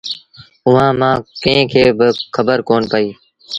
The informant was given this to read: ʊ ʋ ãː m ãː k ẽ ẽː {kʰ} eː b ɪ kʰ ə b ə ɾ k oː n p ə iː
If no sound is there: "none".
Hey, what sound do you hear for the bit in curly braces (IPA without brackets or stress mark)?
kʰ